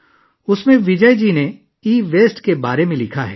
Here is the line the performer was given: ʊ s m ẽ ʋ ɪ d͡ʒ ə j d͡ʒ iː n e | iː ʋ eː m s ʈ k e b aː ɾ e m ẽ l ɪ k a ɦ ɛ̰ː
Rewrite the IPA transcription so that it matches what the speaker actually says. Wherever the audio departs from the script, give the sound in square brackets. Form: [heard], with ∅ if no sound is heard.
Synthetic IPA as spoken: ʊ s m ẽ ʋ ɪ d͡ʒ ə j d͡ʒ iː n e | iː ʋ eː [∅] s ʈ k e b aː ɾ e m ẽ l ɪ [kʰ] a ɦ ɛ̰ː